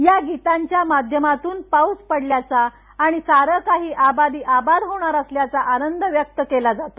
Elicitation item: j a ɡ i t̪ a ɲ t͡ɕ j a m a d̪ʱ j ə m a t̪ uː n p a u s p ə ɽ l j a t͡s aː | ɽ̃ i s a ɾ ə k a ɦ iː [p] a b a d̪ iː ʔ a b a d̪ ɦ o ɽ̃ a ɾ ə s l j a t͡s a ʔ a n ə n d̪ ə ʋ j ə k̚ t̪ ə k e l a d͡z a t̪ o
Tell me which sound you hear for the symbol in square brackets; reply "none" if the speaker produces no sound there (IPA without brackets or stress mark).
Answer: ʔ